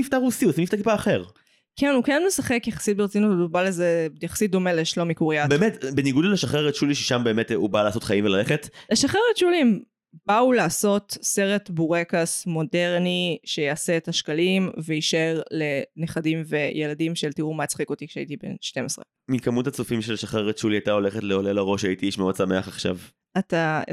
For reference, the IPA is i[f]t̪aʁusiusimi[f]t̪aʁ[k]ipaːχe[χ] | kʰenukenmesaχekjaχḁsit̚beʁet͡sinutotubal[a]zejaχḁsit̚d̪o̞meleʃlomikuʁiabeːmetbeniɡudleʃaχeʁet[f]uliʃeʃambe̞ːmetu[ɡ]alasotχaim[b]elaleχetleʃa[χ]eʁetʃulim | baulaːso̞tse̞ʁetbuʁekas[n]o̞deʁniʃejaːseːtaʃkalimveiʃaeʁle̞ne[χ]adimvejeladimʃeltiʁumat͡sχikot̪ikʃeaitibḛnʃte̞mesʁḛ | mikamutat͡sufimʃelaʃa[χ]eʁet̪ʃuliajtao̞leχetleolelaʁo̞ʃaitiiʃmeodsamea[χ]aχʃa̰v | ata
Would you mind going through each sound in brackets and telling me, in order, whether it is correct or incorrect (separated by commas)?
correct, correct, correct, incorrect, incorrect, incorrect, incorrect, incorrect, correct, incorrect, correct, correct, correct